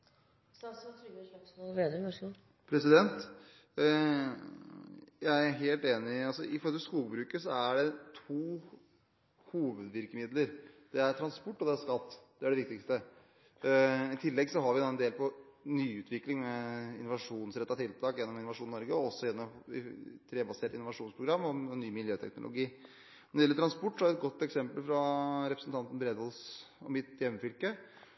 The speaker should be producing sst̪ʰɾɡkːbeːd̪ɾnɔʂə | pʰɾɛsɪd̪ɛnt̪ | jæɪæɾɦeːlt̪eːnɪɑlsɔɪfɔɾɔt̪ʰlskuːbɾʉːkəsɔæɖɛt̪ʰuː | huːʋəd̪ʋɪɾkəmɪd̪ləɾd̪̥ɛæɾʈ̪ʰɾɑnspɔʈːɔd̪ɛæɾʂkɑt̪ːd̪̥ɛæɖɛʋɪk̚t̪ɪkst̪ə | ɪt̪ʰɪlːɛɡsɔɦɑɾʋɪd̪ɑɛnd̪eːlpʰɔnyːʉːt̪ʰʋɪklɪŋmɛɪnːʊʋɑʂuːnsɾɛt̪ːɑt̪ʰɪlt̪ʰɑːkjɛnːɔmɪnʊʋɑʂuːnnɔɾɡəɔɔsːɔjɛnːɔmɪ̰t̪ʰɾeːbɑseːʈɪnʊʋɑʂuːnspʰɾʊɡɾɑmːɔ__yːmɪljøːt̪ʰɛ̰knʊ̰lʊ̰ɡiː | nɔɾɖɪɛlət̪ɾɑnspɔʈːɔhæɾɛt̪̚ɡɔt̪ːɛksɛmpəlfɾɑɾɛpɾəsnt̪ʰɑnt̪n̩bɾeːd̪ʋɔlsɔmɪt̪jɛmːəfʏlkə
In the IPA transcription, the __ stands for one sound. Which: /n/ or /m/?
n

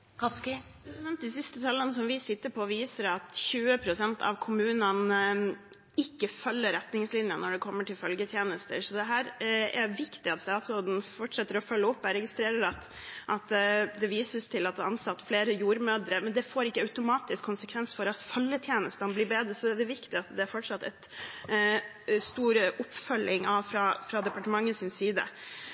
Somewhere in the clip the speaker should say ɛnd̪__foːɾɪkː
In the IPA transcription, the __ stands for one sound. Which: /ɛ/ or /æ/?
ɛ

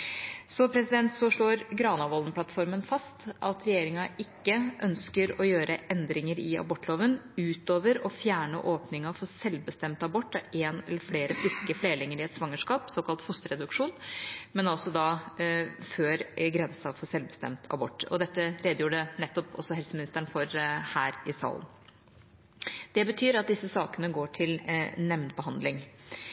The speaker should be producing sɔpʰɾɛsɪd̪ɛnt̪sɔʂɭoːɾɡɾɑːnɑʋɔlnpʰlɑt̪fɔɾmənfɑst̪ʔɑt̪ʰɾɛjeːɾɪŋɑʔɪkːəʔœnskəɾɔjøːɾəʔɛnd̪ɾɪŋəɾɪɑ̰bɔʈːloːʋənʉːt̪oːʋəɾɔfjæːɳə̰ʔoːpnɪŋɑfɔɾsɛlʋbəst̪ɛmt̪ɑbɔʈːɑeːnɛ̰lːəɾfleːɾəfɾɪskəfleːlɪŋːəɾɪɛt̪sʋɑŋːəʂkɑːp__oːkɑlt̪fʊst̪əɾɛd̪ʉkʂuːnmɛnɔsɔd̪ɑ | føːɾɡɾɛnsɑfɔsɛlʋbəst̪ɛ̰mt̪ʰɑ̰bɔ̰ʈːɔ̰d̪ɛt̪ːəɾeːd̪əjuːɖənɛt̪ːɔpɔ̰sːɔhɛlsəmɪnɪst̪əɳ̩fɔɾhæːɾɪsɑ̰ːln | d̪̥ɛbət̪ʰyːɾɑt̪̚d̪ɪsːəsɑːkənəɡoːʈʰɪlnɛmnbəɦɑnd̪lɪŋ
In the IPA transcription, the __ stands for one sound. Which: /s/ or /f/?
s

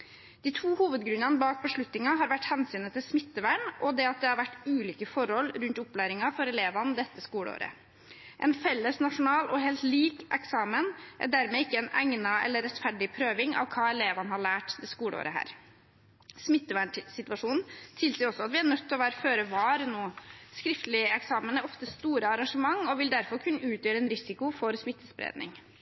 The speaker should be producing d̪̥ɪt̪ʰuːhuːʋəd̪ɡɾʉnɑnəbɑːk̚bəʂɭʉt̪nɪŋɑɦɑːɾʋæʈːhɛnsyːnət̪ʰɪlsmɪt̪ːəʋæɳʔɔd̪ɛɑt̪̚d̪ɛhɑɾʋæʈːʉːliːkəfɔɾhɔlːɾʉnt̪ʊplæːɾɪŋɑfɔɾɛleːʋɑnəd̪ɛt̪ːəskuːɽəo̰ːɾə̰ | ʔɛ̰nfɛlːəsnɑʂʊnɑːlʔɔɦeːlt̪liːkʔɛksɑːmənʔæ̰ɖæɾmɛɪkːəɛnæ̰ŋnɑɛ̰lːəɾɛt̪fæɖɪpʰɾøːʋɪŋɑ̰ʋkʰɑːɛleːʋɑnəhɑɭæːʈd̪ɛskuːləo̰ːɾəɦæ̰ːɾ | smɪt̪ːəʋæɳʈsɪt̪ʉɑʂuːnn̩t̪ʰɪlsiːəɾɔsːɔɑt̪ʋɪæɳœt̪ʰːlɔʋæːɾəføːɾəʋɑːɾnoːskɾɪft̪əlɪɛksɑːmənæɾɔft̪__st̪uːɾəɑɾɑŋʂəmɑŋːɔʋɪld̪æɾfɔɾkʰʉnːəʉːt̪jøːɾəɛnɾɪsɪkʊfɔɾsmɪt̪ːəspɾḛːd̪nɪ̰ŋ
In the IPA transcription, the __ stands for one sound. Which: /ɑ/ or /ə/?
ə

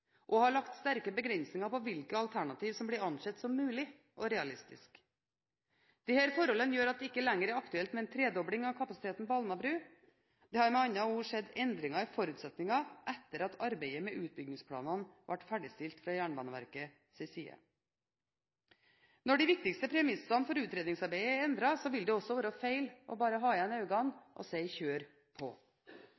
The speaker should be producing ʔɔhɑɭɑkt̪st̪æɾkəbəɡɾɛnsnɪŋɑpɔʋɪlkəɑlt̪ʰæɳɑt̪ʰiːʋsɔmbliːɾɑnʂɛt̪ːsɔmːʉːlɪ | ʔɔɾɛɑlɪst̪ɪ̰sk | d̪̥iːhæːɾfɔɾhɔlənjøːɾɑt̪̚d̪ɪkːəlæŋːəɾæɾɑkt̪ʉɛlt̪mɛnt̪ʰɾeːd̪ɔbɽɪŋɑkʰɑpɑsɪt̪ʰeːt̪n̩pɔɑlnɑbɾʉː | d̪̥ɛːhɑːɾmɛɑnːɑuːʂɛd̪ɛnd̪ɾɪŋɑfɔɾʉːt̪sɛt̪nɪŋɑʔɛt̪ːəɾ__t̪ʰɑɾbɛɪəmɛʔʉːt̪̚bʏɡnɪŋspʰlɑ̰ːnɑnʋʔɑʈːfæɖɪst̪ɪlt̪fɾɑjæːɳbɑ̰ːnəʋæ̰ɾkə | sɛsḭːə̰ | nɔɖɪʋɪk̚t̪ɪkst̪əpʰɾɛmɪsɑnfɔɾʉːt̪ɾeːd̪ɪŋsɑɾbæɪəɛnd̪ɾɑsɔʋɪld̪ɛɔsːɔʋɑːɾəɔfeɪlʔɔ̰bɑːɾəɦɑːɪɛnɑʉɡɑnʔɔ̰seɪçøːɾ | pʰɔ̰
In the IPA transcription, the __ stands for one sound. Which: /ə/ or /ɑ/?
ɑ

